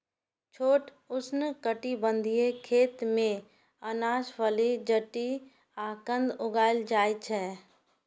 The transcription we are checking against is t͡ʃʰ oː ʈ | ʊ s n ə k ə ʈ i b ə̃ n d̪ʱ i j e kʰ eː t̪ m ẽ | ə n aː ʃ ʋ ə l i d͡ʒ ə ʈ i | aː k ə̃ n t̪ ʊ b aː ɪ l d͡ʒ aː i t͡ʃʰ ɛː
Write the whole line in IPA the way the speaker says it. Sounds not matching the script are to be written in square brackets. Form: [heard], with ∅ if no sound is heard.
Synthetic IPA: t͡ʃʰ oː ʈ | ʊ s n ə k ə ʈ i b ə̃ n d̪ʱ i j e kʰ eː t̪ m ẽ | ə n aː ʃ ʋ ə l i d͡ʒ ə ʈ i | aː k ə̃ n [d̪] ʊ [ɡ] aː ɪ l d͡ʒ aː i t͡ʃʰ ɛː